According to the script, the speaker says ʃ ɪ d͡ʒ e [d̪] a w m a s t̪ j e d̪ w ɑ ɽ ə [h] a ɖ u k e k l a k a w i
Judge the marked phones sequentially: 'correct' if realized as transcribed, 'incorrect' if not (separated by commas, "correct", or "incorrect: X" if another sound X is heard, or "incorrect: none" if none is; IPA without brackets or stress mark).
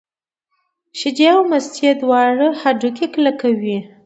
incorrect: none, correct